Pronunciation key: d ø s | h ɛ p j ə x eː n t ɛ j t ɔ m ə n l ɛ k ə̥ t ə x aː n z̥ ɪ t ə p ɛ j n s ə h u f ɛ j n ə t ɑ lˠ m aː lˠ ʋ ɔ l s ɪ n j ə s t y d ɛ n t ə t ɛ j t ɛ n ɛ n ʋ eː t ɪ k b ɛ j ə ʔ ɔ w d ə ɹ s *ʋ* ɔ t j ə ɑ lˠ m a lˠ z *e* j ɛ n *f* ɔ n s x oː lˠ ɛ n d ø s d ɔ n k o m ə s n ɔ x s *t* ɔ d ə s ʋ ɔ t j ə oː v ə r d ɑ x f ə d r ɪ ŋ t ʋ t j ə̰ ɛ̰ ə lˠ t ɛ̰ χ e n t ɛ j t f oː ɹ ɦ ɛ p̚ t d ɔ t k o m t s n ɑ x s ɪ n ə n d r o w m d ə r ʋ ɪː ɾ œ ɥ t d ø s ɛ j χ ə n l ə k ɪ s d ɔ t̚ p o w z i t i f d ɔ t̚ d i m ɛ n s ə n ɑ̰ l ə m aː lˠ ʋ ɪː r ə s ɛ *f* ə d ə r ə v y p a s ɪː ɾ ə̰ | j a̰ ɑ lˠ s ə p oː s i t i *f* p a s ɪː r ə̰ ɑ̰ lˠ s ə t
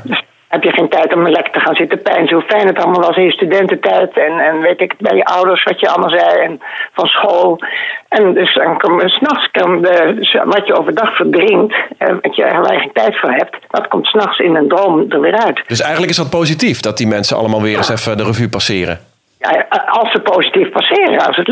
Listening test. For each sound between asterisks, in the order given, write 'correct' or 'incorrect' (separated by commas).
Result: correct, incorrect, correct, incorrect, correct, correct